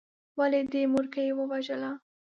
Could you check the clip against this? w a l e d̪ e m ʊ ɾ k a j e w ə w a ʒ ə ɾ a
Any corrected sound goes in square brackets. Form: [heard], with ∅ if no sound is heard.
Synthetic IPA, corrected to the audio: w a l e d̪ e m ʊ ɾ k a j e w ə w a ʒ ə [l] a